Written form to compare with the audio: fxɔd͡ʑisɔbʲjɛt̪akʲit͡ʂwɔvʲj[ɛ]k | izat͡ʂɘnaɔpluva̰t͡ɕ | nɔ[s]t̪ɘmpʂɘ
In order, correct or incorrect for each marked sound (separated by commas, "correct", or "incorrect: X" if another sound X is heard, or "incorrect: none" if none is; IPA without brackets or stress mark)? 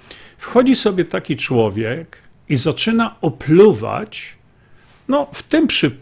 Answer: correct, incorrect: f